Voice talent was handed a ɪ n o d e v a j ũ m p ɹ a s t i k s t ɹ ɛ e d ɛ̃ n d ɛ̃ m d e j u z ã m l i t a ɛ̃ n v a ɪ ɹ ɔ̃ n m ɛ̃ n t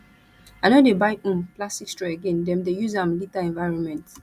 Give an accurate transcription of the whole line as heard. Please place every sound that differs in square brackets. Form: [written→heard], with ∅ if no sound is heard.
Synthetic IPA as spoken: a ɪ n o d e [v→b] a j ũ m p [ɹ→l] a s t i k s t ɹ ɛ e [d→ɡ] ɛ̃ n d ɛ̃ m d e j u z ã m l i t a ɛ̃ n v a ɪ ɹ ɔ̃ n m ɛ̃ n t